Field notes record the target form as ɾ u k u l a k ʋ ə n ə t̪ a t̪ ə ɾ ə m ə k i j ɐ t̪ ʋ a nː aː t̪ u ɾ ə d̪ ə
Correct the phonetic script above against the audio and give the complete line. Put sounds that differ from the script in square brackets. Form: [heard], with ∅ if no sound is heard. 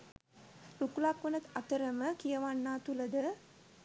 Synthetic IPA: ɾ u k u l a k ʋ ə n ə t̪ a t̪ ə ɾ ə m ə k i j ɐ [∅] ʋ a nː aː t̪ u [l] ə d̪ ə